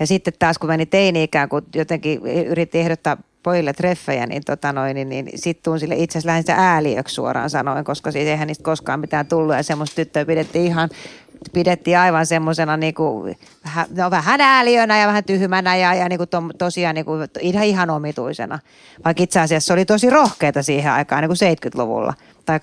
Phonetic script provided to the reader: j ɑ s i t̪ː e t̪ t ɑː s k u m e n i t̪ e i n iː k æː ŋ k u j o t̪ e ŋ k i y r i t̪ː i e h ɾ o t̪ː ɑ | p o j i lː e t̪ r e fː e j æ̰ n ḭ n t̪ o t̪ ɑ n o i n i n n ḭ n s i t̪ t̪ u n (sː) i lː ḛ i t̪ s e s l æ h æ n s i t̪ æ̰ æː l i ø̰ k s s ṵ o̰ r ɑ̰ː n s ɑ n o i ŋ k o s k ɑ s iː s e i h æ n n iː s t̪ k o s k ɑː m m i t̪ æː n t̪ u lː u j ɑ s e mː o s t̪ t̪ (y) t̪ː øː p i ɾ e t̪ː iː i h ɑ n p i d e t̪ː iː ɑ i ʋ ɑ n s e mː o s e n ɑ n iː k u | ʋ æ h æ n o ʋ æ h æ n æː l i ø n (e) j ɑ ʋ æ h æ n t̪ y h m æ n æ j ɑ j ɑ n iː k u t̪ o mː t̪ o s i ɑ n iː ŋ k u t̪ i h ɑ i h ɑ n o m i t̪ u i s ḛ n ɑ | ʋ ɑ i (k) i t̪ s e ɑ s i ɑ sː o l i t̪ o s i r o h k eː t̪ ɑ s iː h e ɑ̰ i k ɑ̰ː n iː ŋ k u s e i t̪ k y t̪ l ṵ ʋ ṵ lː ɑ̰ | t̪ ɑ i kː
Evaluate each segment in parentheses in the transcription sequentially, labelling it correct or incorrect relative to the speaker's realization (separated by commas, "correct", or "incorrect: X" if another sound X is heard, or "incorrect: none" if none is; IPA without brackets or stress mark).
incorrect: s, correct, incorrect: æ, correct